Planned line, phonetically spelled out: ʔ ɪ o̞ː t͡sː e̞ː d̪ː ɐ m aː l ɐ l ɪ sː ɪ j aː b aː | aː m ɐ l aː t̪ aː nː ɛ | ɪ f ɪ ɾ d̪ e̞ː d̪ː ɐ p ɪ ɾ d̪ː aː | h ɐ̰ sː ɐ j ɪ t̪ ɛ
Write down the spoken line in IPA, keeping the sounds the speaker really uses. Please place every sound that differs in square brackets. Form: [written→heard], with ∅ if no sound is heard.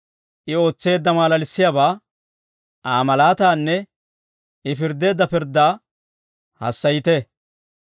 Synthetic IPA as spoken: ʔ ɪ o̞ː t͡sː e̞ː d̪ː ɐ m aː l ɐ l ɪ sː ɪ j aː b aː | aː m ɐ l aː t̪ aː nː ɛ | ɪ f ɪ ɾ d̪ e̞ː d̪ː ɐ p ɪ ɾ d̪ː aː | h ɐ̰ sː ɐ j ɪ t̪ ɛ